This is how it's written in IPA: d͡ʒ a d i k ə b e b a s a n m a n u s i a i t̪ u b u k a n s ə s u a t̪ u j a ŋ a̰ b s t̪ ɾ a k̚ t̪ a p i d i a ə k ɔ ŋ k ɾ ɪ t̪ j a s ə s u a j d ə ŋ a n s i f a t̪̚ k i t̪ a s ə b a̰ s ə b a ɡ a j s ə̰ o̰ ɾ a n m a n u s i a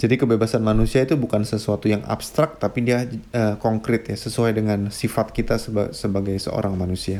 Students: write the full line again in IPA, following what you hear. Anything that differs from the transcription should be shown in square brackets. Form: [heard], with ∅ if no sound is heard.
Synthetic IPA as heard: d͡ʒ a d i k ə b e b a s a n m a n u s i a i t̪ u b u k a n s ə s u a t̪ u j a ŋ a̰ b s t̪ ɾ a k̚ t̪ a p i d i a ə k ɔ ŋ k ɾ ɪ t̪ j a s ə s u a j d ə ŋ a n s i f a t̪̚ k i t̪ a s ə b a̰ s ə b a ɡ a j s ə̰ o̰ ɾ a [ŋ] m a n u s i a